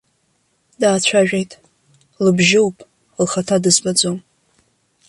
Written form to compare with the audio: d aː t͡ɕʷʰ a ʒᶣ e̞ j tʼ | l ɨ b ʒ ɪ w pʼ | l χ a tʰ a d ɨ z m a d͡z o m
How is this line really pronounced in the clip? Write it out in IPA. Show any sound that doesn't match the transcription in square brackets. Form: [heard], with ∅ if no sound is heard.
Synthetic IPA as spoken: d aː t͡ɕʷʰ a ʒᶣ e̞ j tʼ | l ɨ b ʒ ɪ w pʼ | l χ a tʰ a d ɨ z [b] a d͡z o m